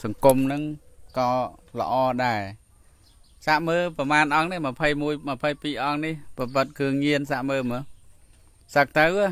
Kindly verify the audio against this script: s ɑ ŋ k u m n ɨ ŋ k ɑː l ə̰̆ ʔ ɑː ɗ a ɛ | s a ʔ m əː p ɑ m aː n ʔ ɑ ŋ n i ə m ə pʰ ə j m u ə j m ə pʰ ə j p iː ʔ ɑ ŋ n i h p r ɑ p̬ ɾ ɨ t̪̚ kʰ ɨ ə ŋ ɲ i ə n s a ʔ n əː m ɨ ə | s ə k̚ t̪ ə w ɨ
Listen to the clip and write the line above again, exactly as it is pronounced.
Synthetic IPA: s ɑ ŋ k u m n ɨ ŋ k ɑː l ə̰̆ ʔ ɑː ɗ a ɛ | s a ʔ m əː p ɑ m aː n ʔ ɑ ŋ n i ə m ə pʰ ə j m u ə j m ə pʰ ə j p iː ʔ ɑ ŋ n i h p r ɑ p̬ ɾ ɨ t̪̚ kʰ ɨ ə ŋ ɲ i ə n s a ʔ m əː m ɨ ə | s ə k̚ t̪ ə w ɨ